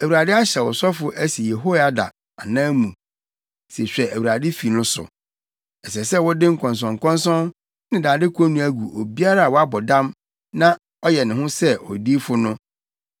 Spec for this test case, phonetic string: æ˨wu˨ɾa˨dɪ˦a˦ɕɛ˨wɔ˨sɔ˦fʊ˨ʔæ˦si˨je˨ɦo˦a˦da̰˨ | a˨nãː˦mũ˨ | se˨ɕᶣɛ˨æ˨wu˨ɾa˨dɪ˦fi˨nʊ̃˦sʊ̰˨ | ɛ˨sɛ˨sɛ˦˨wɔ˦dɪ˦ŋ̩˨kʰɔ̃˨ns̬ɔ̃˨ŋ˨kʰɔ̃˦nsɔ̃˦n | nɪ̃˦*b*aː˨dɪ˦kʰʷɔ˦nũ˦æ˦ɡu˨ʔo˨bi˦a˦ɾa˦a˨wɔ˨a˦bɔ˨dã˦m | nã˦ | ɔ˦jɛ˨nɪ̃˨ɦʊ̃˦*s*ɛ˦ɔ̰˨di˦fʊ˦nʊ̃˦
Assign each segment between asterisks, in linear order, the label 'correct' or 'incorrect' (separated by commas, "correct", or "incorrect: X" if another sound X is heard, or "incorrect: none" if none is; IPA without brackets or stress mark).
incorrect: d, correct